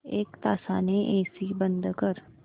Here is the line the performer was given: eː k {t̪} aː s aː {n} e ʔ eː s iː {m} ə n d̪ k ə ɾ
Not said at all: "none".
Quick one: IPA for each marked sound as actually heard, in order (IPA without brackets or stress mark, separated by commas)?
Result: t̪, n, b